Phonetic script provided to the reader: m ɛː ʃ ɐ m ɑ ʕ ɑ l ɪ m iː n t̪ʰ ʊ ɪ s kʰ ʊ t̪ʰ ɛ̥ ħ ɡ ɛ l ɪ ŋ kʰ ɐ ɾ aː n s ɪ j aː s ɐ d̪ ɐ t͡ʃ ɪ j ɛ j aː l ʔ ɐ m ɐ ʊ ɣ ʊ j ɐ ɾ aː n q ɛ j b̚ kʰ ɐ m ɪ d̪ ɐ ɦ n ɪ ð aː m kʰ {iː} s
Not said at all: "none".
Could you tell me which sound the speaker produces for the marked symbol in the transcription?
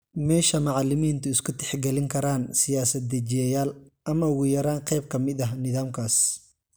aː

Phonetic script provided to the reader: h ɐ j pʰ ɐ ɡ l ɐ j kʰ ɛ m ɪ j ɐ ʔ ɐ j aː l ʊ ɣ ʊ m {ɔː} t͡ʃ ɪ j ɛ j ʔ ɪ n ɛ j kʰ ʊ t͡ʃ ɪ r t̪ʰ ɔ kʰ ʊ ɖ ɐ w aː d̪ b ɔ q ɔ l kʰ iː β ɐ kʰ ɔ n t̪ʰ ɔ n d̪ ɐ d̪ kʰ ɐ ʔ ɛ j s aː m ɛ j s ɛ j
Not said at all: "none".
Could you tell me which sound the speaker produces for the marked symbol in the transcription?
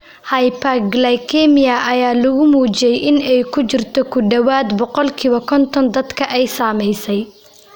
uː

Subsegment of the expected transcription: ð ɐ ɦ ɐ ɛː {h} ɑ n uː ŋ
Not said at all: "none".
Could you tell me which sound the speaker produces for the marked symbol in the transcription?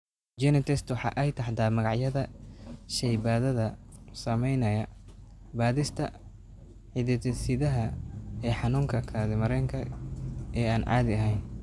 ħ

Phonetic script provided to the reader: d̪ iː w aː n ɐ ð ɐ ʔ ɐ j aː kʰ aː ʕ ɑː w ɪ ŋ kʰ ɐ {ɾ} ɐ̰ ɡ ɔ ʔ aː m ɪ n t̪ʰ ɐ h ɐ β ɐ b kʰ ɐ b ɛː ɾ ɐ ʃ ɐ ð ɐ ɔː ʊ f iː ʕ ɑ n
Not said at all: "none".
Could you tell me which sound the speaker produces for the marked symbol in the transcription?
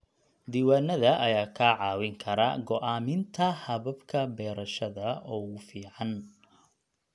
ɾ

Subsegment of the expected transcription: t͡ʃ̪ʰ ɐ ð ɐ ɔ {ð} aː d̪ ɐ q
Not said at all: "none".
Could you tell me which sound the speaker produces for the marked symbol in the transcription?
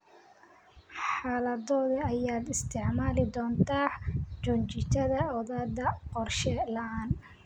ð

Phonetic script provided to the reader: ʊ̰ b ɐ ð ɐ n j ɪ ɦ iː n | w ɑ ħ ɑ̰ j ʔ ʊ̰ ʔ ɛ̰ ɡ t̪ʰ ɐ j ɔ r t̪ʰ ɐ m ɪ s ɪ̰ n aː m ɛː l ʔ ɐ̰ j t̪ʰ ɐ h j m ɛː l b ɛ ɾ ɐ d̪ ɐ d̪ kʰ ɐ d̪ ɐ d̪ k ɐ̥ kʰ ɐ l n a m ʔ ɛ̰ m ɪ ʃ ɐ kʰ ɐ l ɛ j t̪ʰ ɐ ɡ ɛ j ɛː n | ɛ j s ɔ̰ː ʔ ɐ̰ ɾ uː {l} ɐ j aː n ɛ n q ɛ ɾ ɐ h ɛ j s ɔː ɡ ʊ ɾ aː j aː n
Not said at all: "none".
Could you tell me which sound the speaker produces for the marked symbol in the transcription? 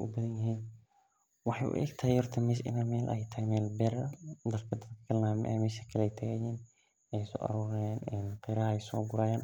ɾ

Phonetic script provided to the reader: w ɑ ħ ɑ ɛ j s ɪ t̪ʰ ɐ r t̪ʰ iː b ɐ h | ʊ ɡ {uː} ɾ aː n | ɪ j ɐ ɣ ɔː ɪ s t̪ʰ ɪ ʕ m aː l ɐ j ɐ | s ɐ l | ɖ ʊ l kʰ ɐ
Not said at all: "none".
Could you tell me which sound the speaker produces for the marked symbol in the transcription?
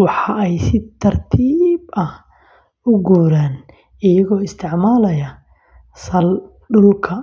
uː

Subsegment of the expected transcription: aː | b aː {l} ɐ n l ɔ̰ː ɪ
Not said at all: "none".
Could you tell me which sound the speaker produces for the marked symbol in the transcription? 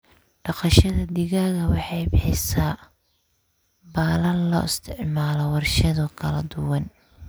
l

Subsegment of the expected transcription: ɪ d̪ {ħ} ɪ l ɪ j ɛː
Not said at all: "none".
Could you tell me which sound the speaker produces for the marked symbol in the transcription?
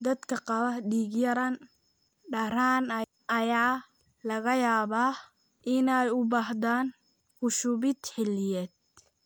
ħ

